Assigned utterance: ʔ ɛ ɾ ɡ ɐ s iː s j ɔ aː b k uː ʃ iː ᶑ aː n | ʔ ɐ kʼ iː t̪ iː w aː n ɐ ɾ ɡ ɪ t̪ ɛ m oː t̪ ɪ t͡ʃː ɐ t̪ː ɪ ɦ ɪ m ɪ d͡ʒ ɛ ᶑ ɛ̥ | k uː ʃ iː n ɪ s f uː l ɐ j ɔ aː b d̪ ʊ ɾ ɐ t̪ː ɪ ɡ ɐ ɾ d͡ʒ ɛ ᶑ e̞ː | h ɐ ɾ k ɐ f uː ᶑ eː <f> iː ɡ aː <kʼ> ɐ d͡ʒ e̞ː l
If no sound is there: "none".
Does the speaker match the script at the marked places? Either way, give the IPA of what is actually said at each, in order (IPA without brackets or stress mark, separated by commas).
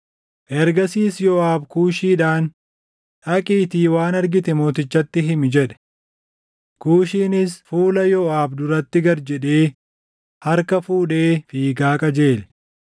f, kʼ